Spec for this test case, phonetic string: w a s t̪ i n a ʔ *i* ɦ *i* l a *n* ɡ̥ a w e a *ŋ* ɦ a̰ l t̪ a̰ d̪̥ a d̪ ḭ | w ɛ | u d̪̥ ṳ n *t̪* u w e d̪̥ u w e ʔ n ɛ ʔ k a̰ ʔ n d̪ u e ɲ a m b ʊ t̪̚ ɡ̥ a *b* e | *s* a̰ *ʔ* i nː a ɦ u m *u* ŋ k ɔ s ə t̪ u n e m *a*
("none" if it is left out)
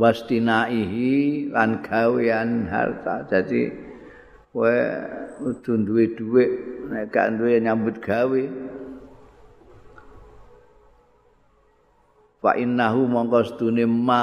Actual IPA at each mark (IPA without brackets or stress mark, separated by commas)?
i, i, n, n, d̪, w, f, ʔ, ɔ, a